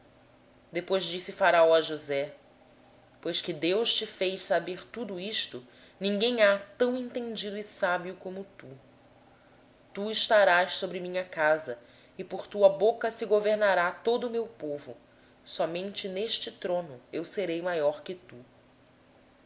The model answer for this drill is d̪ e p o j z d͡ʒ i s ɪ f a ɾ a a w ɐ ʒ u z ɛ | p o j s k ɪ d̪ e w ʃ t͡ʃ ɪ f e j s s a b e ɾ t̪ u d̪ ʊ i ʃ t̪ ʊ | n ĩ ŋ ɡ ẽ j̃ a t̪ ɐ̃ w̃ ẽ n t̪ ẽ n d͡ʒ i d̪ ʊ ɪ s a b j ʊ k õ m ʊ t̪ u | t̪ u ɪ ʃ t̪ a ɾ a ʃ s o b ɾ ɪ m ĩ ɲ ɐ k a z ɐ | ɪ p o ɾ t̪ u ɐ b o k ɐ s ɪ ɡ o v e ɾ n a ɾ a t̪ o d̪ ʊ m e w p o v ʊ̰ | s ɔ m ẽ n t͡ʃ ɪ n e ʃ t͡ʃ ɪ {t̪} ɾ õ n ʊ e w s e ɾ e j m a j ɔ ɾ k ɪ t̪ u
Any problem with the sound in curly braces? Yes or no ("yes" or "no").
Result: no